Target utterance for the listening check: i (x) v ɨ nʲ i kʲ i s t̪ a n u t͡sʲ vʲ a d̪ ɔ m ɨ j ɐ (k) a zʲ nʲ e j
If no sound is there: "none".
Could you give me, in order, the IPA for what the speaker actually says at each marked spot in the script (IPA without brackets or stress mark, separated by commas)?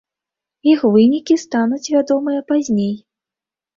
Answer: x, p